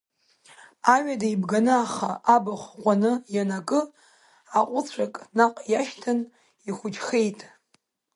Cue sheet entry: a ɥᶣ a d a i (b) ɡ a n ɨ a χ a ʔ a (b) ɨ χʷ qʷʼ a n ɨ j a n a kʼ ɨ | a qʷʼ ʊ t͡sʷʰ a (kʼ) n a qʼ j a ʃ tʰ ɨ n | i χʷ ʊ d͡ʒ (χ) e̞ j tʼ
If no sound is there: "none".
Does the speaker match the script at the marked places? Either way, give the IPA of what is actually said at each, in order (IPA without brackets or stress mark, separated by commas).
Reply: b, b, kʼ, χ